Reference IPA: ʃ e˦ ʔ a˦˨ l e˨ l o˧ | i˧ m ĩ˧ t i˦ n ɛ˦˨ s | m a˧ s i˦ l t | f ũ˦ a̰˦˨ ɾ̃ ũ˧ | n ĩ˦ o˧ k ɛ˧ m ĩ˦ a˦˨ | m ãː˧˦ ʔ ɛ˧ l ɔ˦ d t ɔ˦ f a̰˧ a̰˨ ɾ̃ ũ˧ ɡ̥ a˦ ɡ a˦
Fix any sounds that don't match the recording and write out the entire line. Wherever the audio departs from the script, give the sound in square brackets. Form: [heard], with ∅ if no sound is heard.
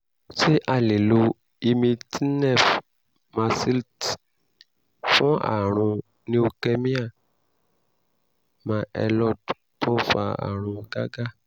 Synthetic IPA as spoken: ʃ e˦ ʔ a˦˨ l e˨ l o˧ | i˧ m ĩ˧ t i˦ n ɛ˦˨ [f] | m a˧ s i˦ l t | f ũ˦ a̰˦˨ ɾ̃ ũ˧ | n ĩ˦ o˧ k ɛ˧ m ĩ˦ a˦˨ | m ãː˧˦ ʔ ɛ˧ l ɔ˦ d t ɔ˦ f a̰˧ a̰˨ ɾ̃ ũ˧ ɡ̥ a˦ ɡ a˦